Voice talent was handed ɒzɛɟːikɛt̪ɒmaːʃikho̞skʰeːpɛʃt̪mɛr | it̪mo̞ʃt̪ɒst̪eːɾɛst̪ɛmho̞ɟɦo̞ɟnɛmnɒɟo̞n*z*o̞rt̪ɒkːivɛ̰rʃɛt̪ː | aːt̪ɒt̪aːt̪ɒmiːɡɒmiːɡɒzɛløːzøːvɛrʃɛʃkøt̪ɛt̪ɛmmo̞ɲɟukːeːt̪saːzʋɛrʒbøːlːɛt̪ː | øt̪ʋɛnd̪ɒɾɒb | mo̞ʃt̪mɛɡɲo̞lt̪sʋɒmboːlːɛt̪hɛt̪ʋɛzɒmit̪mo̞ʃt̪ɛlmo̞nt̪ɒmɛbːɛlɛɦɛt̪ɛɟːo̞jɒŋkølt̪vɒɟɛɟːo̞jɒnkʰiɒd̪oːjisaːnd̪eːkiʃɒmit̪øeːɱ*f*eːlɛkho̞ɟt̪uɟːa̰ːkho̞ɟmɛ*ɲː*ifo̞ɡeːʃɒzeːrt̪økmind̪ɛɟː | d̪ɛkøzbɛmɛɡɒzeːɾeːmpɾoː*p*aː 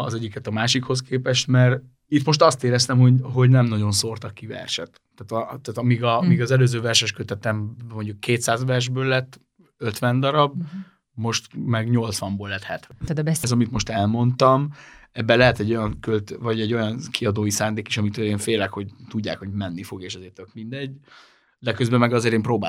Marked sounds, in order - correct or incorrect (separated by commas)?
incorrect, correct, incorrect, incorrect